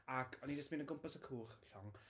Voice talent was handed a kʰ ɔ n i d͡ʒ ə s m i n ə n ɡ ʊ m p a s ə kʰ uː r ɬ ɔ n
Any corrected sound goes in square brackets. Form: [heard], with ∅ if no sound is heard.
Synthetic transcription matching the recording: a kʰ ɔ n i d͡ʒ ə s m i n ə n ɡ ʊ m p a s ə kʰ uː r ɬ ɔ [ŋ]